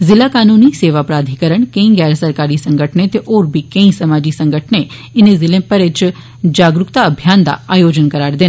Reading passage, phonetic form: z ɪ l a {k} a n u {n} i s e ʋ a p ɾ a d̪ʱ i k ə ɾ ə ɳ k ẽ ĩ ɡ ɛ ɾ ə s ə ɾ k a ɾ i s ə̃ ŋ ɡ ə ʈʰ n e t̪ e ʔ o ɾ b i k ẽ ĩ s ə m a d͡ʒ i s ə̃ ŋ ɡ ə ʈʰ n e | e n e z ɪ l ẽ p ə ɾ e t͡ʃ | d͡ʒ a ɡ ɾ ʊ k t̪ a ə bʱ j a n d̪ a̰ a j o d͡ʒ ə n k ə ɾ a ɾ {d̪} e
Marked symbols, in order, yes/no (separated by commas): yes, yes, yes